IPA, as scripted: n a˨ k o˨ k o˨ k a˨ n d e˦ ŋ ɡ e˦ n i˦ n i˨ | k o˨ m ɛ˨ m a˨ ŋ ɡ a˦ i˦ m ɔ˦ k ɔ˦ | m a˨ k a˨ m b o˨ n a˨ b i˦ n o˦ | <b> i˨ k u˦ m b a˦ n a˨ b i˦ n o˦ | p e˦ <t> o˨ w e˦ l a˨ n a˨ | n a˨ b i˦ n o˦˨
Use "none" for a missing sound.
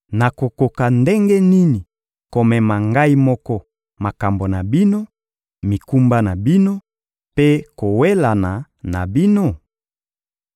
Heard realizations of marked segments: m, k

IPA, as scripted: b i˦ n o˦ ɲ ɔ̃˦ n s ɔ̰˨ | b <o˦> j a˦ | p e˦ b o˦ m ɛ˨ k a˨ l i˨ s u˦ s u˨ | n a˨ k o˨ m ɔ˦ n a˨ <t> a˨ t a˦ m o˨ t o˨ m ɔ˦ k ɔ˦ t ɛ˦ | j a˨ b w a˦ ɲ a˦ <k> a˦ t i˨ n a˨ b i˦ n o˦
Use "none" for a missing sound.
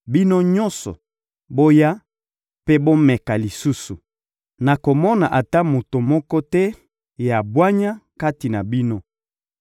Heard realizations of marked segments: o˦, ʔ, k

